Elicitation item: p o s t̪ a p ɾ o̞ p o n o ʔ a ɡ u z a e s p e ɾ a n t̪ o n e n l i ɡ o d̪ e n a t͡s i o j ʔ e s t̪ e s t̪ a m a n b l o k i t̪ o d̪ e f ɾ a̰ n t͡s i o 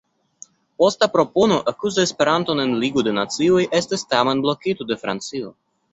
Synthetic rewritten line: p o s t̪ a p ɾ o̞ p o n o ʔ a k u z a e s p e ɾ a n t̪ o n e n l i ɡ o d̪ e n a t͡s i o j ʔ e s t̪ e s t̪ a m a n b l o k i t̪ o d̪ e f ɾ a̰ n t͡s i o